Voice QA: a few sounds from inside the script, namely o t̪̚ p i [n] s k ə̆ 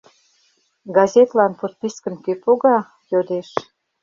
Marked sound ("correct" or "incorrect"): incorrect